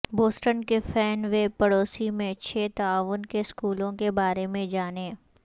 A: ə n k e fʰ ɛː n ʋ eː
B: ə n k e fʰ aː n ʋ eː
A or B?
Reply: A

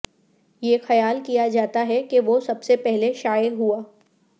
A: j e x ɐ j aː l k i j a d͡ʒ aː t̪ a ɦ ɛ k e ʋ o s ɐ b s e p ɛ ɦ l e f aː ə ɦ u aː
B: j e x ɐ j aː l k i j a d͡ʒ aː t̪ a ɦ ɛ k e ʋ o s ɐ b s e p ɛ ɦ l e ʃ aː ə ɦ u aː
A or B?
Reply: B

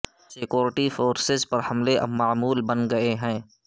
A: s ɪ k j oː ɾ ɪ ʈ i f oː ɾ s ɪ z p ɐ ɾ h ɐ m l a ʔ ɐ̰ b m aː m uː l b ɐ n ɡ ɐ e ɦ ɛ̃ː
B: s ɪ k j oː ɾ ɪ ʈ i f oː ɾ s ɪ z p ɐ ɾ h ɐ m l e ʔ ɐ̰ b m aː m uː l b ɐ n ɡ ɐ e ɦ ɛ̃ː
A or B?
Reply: B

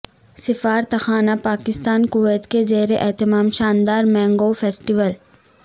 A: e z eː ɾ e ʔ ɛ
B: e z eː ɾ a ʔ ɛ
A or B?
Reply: A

